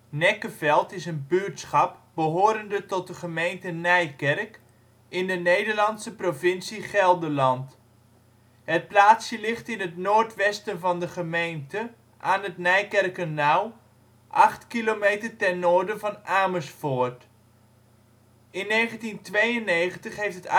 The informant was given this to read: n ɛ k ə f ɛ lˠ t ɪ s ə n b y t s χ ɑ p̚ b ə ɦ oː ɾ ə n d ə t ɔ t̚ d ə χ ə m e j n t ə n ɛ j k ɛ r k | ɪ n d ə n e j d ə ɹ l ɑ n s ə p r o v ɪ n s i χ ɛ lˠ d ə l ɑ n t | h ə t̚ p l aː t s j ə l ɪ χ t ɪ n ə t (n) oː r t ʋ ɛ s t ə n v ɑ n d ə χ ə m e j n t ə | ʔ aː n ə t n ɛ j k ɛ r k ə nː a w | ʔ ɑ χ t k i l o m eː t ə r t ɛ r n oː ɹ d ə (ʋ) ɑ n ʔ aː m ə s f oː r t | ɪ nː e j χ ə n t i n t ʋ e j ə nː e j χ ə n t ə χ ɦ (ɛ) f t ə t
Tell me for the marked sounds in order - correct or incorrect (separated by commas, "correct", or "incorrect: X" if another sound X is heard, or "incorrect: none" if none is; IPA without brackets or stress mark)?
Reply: correct, incorrect: v, incorrect: e